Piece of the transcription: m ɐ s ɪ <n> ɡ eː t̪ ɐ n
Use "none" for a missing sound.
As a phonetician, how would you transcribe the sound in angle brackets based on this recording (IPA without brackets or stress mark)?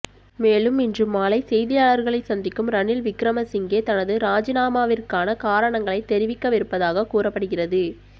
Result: ŋ